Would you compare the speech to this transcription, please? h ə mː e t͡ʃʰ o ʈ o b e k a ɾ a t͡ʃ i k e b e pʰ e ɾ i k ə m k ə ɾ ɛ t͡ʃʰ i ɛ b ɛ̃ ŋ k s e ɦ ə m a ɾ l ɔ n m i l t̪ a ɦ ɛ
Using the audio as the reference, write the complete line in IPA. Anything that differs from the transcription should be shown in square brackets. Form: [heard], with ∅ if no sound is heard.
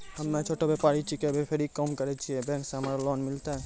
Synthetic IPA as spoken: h ə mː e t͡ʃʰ o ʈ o b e [p] a ɾ [i] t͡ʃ i k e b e pʰ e ɾ i k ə m k ə ɾ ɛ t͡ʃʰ i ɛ b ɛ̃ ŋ k s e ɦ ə m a ɾ l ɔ n m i l t̪ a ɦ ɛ